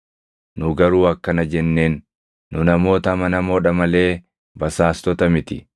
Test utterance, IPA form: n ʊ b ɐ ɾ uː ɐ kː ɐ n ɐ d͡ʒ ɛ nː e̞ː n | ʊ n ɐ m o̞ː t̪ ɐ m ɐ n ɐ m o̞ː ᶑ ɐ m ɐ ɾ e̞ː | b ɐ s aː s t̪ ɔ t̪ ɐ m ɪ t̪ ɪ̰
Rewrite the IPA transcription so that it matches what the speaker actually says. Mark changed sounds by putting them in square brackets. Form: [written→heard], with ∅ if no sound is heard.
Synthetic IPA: n ʊ [b→ɡ] ɐ ɾ uː ɐ kː ɐ n ɐ d͡ʒ ɛ nː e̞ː [n→nː] | ʊ n ɐ m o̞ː t̪ ɐ m ɐ n ɐ m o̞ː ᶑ ɐ m ɐ [ɾ→l] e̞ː | b ɐ s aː s t̪ ɔ t̪ ɐ m ɪ t̪ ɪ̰